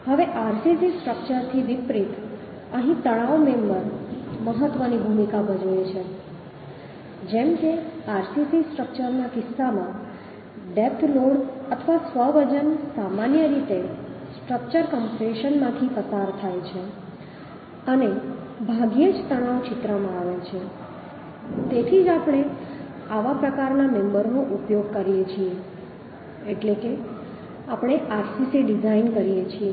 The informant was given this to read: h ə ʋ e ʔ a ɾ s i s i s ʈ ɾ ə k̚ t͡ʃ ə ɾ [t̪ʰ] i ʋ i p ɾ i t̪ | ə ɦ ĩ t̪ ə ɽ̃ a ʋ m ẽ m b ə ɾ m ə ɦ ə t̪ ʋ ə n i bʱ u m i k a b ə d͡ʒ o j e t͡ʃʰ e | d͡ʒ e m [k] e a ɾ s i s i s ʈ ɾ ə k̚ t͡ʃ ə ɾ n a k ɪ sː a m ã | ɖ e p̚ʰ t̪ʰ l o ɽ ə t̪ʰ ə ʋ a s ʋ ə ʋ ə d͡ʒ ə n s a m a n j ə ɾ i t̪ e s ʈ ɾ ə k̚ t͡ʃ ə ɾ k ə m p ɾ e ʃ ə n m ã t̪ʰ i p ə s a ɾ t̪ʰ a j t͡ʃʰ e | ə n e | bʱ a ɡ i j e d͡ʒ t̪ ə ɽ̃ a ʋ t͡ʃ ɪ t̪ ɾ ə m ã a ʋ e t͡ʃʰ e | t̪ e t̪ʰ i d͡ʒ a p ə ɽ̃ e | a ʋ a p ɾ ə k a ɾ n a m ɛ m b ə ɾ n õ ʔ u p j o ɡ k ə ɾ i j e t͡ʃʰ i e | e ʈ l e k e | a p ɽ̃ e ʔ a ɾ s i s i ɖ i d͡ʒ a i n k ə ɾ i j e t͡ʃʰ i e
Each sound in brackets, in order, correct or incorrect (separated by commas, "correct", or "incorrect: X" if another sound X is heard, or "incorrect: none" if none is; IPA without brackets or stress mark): correct, correct